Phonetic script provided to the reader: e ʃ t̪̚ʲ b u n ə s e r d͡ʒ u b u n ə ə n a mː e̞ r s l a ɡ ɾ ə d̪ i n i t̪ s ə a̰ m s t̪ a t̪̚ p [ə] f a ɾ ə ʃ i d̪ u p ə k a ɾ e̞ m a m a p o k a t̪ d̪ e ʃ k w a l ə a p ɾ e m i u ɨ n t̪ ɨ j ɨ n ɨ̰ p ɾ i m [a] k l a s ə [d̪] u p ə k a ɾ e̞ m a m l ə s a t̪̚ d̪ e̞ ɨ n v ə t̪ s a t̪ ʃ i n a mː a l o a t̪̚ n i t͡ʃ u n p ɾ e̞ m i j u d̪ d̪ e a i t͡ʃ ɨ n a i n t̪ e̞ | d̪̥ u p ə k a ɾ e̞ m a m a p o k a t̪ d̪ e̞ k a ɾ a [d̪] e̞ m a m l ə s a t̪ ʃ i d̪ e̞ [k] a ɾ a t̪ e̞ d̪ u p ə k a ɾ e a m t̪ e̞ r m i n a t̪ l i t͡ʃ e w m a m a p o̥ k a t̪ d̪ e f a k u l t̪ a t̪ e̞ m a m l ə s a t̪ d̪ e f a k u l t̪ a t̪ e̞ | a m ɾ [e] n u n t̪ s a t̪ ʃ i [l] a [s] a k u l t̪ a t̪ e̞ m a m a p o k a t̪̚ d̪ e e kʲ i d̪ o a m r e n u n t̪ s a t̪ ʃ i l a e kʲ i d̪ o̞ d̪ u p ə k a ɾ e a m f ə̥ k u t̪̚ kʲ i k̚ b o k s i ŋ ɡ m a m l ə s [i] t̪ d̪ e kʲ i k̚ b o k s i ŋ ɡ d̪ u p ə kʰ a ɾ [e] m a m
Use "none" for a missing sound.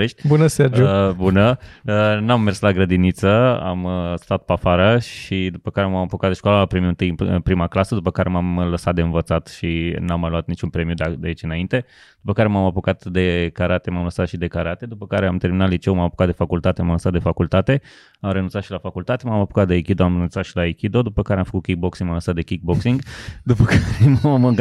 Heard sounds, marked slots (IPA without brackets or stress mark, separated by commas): a, a, d̪, t̪, k, e, l, f, a, e